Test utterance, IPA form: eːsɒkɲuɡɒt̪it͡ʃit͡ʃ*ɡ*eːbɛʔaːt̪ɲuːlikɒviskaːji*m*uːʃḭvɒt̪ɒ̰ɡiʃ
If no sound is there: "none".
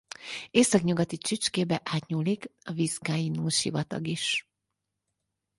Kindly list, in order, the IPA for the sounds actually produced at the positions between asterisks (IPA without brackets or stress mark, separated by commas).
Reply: k, n